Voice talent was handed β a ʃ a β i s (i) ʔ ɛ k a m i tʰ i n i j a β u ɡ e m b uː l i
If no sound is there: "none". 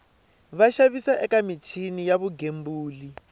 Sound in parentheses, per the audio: a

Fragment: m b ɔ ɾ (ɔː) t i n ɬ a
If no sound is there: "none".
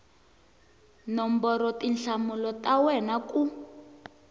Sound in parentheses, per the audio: ɔ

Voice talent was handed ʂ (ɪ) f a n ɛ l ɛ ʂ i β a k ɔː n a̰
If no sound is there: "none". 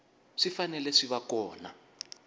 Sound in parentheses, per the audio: i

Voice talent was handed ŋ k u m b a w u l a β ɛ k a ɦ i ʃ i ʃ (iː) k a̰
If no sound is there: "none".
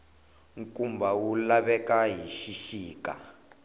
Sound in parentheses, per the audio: iː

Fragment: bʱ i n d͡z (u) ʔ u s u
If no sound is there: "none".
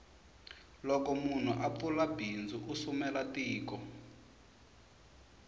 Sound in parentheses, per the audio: u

